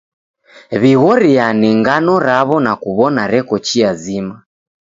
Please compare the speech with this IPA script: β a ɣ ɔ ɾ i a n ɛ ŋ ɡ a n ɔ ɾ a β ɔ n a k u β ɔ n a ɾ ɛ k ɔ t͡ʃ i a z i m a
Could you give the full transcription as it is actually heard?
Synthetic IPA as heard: β i ɣ ɔ ɾ i a n ɛ ŋ ɡ a n ɔ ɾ a β ɔ n a k u β ɔ n a ɾ ɛ k ɔ t͡ʃ i a z i m a